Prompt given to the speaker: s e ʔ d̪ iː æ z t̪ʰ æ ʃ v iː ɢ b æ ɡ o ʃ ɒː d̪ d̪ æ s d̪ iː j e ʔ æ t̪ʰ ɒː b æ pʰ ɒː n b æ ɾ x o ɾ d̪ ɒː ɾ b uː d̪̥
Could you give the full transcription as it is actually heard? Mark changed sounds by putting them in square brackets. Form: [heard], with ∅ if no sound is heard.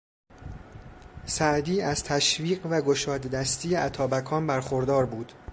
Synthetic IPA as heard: s [æ] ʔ d̪ iː æ z t̪ʰ æ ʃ v iː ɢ [v] æ ɡ o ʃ ɒː d̪ d̪ æ s [t̪] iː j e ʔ æ t̪ʰ ɒː b æ [kʰ] ɒː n b æ ɾ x o ɾ d̪ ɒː ɾ b uː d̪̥